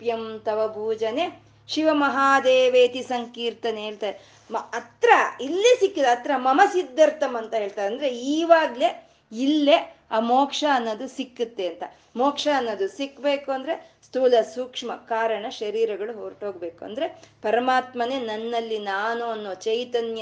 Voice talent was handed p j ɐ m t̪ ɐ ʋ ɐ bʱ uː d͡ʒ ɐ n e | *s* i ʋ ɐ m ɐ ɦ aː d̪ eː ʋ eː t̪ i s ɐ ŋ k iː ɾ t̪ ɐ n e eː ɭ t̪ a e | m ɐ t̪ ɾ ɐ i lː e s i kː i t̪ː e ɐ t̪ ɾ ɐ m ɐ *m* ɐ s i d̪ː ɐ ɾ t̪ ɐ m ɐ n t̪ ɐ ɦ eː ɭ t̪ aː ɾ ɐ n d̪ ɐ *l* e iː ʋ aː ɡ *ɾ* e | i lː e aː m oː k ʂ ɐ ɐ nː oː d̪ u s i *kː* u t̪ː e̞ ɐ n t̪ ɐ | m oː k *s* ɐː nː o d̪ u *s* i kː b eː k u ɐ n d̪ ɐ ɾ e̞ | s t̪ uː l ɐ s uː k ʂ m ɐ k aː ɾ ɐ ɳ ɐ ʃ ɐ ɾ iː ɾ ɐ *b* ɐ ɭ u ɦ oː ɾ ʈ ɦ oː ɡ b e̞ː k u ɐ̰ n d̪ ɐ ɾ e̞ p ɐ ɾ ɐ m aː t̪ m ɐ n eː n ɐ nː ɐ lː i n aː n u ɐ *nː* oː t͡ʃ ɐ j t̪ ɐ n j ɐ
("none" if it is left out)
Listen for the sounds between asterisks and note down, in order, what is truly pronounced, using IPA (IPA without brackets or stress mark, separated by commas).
ʃ, m, ɾ, l, kː, ʂ, s, ɡ, nː